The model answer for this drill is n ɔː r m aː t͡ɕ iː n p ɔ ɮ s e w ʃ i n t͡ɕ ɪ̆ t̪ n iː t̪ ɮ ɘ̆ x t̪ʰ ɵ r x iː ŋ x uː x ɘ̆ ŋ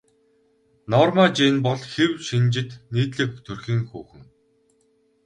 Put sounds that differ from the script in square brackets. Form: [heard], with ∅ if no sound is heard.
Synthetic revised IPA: n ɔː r m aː t͡ɕ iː n p ɔ ɮ [x] e w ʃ i n t͡ɕ ɪ̆ t̪ n iː t̪ ɮ ɘ̆ [k] t̪ʰ ɵ r x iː ŋ x uː x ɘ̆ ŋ